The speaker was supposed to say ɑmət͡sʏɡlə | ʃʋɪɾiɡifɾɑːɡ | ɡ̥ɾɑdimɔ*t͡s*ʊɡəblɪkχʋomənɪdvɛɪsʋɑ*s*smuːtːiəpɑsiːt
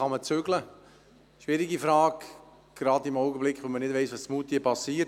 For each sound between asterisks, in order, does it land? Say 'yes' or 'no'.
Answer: no, yes

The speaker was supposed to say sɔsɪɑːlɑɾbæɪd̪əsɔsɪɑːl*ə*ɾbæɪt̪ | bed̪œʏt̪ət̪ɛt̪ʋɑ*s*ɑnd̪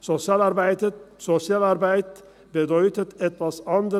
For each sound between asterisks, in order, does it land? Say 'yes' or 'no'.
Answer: no, yes

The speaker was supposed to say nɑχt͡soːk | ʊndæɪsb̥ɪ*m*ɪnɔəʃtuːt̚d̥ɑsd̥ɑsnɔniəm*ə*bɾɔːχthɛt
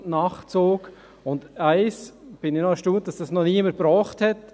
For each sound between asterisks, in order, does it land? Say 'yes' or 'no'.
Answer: no, yes

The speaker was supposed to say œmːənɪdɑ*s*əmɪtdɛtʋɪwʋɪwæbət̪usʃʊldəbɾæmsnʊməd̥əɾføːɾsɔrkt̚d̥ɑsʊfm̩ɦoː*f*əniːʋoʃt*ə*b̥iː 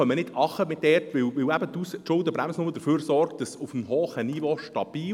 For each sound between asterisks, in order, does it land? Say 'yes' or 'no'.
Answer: no, no, no

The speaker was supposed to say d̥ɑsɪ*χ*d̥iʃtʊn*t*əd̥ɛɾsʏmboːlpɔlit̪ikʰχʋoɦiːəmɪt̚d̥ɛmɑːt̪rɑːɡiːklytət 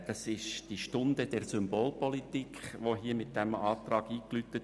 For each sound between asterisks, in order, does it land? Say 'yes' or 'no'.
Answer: no, no

